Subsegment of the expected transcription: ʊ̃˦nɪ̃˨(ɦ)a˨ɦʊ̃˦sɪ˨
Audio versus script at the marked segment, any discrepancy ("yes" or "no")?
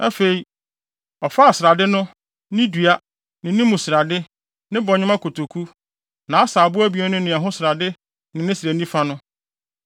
yes